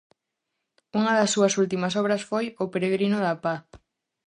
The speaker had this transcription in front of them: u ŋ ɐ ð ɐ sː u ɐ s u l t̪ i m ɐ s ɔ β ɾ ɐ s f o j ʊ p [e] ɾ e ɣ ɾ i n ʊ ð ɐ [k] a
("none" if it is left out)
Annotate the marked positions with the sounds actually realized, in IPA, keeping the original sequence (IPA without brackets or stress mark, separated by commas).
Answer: e, p